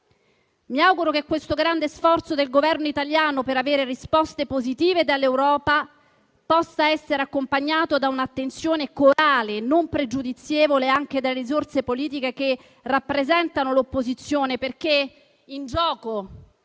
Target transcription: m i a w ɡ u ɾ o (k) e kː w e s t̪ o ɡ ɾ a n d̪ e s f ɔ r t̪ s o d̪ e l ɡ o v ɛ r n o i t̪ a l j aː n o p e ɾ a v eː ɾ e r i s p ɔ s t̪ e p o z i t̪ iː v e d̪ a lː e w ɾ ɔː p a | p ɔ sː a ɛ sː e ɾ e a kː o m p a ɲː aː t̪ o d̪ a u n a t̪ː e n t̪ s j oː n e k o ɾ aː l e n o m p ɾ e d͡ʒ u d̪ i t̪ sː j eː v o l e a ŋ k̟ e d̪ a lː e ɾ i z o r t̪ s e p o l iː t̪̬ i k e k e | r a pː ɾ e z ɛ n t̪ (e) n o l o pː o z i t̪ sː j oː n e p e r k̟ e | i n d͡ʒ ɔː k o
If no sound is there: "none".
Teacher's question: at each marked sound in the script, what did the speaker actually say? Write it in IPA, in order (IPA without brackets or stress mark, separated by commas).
k, a